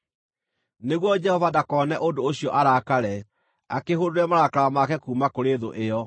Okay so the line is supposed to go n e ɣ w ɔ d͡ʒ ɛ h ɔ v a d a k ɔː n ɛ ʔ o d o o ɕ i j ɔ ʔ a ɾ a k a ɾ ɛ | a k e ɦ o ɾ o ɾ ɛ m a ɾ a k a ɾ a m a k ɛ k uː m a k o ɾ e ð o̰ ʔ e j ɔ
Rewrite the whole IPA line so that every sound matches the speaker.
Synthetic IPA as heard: n e ɣ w ɔ d͡ʒ ɛ h ɔ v a d a k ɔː n ɛ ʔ o d o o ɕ i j ɔ ʔ a ɾ a k a ɾ ɛ | a k e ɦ o ɾ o ɾ ɛ m a ɾ a k a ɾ a m a k ɛ k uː m a k o ɾ e ð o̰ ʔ e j ɔ

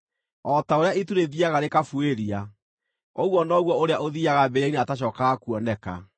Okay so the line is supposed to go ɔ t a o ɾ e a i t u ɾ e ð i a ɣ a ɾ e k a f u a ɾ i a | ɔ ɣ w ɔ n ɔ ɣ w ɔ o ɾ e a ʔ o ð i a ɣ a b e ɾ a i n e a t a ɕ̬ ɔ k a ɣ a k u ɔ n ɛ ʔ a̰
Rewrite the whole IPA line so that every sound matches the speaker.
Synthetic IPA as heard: ɔ t a o ɾ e a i t u ɾ e ð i a ɣ a ɾ e k a f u e ɾ i a | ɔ ɣ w ɔ n ɔ ɣ w ɔ o ɾ e a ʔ o ð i a ɣ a b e ɾ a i n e a t a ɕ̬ ɔ k a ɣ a k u ɔ n ɛ k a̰

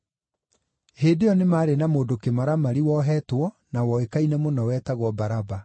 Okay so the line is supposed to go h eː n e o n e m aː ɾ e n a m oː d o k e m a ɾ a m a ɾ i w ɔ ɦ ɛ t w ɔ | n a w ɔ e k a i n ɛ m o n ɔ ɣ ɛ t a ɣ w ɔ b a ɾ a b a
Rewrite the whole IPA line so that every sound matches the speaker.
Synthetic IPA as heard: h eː d e ɔ n e m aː ɾ e n a m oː d o k e m a ɾ a m a ɾ i w ɔ ɦ ɛ t w ɔ | n a w ɔ e k a i n ɛ m o n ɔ w ɛ t a ɣ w ɔ b a ɾ a b a

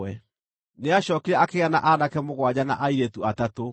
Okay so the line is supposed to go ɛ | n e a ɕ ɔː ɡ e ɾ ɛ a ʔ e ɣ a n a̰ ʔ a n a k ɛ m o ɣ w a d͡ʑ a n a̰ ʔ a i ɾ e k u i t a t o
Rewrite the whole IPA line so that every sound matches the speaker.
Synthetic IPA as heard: ɛ | n e a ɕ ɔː k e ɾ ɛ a k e ɣ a n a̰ ʔ a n a k ɛ m o ɣ w a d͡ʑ a n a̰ ʔ a i ɾ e t u a t a t o

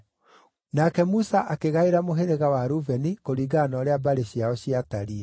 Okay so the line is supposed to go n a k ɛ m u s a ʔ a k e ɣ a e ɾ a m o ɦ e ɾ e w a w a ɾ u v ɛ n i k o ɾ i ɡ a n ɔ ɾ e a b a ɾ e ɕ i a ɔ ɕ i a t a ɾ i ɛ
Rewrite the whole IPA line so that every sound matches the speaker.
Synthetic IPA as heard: n a k ɛ m u s a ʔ a k e ɣ a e ɾ a m o ɦ e ɾ e ɣ a w a ɾ u v ɛ n i k o ɾ i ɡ a n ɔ ɾ e a b a ɾ e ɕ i a ɔ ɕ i a t a ɾ i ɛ

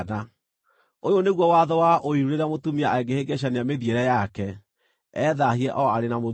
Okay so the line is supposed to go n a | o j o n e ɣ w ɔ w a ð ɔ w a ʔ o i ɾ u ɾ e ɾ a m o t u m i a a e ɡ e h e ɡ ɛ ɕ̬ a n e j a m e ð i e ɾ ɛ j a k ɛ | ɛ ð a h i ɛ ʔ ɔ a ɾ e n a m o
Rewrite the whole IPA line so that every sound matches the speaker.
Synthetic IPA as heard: n a | o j o n e ɣ w ɔ w a ð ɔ w a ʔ o i ɾ u ɾ e ɾ a m o t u m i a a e ɡ e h e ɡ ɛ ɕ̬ a n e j a m e ð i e ɾ ɛ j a k ɛ | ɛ ð a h i ɛ ʔ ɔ a ɾ e n a m o

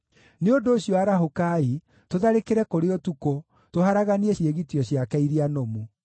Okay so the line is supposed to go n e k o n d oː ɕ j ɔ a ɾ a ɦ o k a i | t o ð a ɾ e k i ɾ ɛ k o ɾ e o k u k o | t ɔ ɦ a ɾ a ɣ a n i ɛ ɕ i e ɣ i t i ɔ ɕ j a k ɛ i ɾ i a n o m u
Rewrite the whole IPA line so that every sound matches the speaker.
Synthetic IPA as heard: n e o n d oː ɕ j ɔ a ɾ a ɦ o k a i | t o ð a ɾ e k e ɾ ɛ k o ɾ e o t u k o | t o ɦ a ɾ a ɣ a n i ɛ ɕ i e ɣ i t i ɔ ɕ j a k ɛ i ɾ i a n o m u

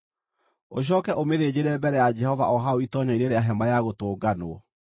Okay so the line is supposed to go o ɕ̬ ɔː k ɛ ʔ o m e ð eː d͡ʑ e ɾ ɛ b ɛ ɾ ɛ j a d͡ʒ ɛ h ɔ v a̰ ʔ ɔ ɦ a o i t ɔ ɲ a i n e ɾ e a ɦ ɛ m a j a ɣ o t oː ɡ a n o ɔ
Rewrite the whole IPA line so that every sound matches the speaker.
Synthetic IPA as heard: o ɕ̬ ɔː k ɛ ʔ o m e ð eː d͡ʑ e ɾ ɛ b ɛ ɾ ɛ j a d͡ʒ ɛ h ɔ v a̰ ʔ ɔ ɦ a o i t ɔ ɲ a i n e ɾ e a ɦ ɛ m a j a ɣ o t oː ɡ a n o ɔ

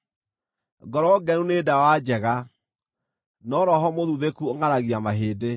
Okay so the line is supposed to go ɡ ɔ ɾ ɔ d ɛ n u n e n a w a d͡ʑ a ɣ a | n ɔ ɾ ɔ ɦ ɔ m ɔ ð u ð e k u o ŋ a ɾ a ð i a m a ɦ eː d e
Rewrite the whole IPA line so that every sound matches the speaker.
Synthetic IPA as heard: ɡ ɔ ɾ ɔ ɡ ɛ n u n e d a w a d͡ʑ ɛ ɣ a | n ɔ ɾ ɔ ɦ ɔ m o ð u ð e k u o ŋ a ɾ a ɣ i a m a ɦ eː d e

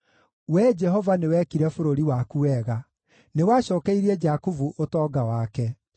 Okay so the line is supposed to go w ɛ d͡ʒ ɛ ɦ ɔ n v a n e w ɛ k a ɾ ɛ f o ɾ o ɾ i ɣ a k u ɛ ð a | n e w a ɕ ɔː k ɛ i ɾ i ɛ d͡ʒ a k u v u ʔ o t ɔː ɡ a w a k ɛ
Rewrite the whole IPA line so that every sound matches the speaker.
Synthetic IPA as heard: w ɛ d͡ʒ ɛ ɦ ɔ v a n e w ɛ k i ɾ ɛ f o ɾ o ɾ i w a k u ɛ ɣ a | n e w a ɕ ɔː k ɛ i ɾ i ɛ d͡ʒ a k u v u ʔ o t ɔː ɡ a w a k ɛ

